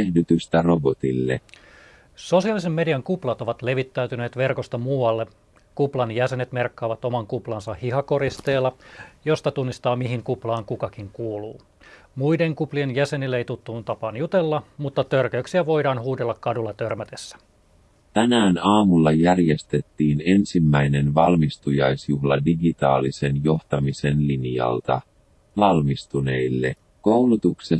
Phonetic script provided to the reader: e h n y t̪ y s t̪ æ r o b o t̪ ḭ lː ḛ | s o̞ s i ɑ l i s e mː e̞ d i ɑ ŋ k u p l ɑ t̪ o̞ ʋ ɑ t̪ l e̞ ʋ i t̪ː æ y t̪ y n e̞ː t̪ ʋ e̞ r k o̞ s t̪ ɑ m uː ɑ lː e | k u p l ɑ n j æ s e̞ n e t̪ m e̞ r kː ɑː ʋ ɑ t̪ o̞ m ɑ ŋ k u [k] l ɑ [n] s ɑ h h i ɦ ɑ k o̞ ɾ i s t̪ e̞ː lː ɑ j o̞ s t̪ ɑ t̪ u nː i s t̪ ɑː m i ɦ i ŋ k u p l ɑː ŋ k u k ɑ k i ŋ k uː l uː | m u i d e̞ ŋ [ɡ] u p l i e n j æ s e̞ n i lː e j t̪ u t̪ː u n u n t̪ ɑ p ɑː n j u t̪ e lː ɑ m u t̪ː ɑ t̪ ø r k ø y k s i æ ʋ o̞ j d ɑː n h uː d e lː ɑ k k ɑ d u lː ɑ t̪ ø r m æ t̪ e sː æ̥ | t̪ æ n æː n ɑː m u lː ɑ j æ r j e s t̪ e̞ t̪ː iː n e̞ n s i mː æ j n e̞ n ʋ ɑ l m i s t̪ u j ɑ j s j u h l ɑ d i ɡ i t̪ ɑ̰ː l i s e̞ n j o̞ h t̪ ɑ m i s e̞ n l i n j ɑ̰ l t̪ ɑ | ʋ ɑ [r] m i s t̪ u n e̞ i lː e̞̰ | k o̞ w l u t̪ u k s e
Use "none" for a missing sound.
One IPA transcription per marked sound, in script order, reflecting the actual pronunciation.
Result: p, n, k, l

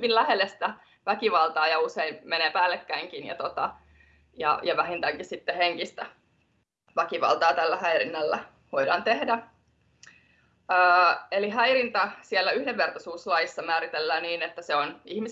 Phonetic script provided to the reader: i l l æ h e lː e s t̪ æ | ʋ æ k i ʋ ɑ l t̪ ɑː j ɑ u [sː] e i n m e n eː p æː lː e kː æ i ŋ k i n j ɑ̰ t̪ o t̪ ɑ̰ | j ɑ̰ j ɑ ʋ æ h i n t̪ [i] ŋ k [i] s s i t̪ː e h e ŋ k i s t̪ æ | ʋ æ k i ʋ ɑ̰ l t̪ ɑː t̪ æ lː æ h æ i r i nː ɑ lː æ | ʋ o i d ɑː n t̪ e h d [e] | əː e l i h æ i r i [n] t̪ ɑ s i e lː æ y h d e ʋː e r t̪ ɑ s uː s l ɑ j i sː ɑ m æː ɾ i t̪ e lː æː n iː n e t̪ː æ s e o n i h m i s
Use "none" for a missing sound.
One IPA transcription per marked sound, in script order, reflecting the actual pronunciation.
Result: s, æ, i, æ, n

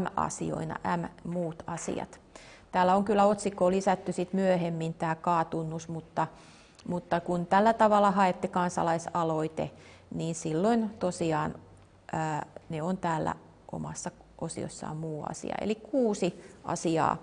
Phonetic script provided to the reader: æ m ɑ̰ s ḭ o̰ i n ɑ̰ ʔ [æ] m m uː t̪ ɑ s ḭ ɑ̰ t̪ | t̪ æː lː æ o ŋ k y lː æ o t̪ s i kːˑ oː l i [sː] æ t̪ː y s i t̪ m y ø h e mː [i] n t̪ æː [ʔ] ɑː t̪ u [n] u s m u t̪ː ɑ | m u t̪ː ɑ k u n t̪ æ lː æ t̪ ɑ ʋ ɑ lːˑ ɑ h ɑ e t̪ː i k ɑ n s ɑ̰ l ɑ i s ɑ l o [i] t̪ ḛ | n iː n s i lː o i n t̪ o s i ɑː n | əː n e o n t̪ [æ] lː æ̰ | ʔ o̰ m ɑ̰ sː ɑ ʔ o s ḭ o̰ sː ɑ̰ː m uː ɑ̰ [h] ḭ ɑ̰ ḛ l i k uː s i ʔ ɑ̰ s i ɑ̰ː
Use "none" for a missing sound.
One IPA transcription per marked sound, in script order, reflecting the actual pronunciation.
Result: æ, s, i, k, nː, i, æː, s

